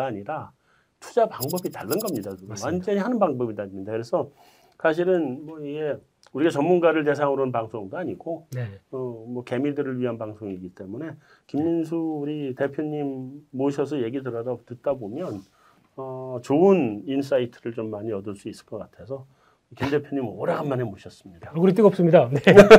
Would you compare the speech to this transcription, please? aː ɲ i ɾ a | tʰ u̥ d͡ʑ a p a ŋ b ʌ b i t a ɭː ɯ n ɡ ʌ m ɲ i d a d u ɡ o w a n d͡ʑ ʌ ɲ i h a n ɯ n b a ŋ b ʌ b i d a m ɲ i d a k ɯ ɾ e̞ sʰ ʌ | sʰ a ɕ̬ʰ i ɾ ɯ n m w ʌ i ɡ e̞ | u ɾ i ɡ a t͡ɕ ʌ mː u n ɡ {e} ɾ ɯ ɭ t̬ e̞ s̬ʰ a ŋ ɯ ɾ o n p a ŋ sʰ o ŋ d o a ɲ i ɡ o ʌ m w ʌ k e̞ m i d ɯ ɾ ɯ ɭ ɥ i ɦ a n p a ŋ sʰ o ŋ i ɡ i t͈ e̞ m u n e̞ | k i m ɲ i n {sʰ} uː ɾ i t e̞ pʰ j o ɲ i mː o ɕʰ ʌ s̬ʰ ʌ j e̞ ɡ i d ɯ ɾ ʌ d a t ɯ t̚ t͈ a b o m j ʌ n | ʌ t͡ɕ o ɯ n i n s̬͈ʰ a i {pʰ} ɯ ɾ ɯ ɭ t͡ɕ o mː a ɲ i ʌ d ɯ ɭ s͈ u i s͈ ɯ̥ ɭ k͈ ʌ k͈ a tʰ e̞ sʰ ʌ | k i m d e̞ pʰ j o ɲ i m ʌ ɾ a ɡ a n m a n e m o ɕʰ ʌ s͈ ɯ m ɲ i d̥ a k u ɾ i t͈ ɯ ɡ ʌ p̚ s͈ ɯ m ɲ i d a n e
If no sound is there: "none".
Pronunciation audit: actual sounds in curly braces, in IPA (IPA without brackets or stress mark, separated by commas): a, sʰ, tʰ